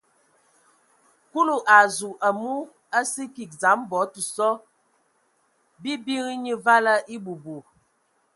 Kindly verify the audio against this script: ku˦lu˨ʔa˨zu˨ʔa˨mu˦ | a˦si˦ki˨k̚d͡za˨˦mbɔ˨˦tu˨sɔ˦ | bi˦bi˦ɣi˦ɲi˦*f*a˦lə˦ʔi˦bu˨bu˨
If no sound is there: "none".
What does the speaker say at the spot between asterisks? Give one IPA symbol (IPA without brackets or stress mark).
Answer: v